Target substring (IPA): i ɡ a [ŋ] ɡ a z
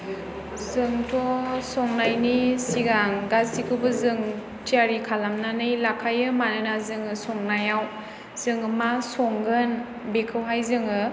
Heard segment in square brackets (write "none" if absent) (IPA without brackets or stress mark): ŋ